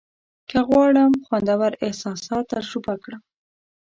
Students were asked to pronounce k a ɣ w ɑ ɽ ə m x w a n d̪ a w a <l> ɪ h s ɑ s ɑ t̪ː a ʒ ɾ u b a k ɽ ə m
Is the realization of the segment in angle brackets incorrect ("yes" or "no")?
yes